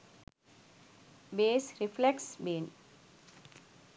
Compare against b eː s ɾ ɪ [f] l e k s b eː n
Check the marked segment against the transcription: correct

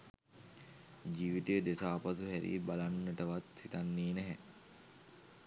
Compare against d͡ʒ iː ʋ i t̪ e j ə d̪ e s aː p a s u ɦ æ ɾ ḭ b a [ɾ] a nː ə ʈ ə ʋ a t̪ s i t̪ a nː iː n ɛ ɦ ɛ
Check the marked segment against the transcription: incorrect: l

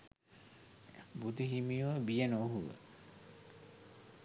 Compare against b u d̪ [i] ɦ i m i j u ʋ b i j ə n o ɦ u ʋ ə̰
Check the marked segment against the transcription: correct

